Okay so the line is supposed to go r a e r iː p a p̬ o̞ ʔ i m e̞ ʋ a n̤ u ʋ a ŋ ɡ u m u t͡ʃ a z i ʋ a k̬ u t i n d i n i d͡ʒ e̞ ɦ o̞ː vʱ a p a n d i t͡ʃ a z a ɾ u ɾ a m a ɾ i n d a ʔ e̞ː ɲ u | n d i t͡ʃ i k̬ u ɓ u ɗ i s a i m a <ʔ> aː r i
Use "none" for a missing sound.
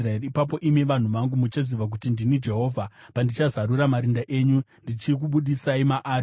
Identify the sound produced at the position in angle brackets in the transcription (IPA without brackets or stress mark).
ʔ